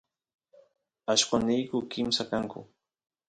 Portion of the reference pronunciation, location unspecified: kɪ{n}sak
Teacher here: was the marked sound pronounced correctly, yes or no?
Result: no